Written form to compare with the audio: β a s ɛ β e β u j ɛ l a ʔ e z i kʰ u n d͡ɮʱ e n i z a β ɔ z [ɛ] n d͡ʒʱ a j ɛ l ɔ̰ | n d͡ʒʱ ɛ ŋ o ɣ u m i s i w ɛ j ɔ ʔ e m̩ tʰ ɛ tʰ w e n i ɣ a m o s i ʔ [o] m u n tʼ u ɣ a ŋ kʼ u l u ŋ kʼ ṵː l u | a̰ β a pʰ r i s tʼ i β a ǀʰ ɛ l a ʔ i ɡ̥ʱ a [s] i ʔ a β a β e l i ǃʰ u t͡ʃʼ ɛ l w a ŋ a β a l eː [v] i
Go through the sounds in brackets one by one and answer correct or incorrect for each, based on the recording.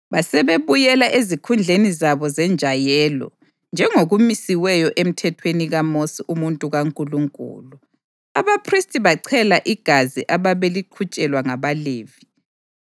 correct, incorrect: u, incorrect: z, correct

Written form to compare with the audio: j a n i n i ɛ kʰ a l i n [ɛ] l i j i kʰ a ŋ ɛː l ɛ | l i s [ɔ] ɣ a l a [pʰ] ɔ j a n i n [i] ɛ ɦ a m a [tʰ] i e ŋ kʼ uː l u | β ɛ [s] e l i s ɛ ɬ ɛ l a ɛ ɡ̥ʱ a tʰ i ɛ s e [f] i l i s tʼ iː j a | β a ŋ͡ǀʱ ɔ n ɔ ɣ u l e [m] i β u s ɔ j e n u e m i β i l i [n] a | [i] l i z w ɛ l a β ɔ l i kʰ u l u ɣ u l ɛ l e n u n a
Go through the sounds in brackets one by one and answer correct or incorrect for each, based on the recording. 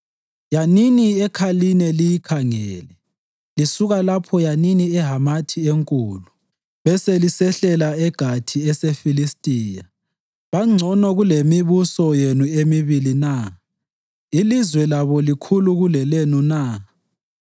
correct, incorrect: u, correct, correct, correct, correct, correct, correct, correct, correct

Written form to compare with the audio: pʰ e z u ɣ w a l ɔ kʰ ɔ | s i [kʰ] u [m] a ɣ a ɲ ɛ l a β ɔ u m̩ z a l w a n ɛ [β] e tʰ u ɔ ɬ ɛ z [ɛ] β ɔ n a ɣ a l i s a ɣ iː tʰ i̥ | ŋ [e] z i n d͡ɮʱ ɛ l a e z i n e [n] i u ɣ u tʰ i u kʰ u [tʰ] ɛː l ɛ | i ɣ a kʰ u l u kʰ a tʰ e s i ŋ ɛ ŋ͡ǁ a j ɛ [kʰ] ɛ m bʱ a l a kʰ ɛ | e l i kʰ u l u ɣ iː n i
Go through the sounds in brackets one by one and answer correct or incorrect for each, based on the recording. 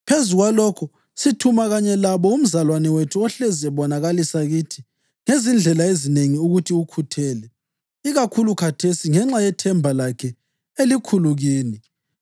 incorrect: tʰ, correct, incorrect: w, correct, correct, incorrect: ŋ, correct, incorrect: tʰ

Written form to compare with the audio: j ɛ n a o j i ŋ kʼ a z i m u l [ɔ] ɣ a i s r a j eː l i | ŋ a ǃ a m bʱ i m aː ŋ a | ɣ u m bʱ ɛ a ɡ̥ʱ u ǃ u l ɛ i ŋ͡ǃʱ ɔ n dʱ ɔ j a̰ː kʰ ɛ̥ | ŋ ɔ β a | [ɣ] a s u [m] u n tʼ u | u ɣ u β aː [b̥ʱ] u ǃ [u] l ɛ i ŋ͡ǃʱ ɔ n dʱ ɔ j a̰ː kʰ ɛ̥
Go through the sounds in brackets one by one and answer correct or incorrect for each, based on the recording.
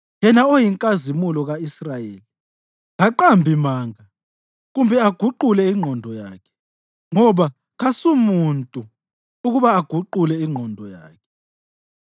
correct, correct, correct, incorrect: ɡ̥ʱ, correct

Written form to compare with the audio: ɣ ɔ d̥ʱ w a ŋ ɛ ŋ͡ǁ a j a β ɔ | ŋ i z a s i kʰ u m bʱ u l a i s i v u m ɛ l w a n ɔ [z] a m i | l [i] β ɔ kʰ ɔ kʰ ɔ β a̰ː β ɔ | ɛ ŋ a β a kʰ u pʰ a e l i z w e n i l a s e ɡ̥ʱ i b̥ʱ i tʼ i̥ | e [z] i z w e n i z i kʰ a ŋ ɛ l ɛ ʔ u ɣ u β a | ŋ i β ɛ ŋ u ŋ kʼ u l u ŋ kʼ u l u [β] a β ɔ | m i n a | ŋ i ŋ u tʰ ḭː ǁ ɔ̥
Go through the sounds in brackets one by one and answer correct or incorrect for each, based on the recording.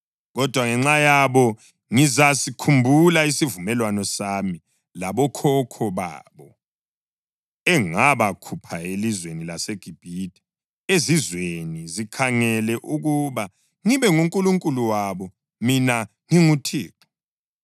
incorrect: s, incorrect: a, correct, incorrect: w

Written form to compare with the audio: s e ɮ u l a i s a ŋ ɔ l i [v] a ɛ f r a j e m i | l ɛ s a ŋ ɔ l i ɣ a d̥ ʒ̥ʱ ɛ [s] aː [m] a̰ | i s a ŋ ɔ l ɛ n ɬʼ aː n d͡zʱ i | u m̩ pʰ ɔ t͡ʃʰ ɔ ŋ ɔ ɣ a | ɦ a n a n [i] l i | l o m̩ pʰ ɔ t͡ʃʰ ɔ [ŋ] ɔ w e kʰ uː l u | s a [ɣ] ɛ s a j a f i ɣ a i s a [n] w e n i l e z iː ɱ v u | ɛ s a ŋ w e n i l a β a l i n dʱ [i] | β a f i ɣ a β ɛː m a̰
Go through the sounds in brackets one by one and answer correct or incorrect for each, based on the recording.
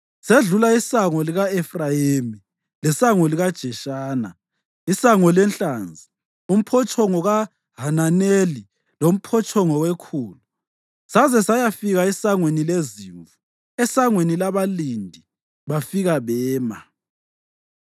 incorrect: ɣ, incorrect: ʃ, incorrect: n, incorrect: e, correct, incorrect: z, incorrect: ŋ, correct

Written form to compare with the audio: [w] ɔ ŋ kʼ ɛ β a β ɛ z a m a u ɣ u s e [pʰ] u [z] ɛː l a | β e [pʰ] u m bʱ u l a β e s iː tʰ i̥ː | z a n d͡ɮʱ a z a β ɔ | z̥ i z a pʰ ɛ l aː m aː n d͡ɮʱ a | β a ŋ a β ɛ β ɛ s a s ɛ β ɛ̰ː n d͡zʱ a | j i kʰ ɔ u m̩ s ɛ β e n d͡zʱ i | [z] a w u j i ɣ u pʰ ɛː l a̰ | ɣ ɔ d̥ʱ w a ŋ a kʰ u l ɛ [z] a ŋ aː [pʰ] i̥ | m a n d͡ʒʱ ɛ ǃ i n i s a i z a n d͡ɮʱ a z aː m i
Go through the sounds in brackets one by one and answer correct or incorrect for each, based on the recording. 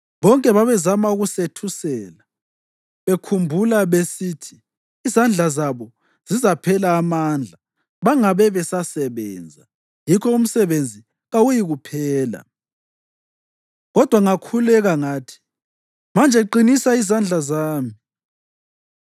incorrect: β, incorrect: tʰ, incorrect: s, incorrect: kʰ, incorrect: ɣ, incorrect: ɣ, incorrect: tʰ

